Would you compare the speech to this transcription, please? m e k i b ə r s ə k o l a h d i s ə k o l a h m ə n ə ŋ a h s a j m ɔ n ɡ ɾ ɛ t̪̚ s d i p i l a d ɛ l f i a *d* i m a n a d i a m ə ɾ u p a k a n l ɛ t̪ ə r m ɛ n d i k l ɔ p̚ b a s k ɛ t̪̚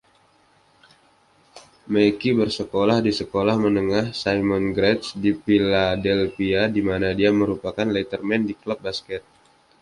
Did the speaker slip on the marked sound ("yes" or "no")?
no